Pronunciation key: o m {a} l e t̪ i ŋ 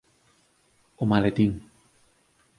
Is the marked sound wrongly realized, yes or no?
no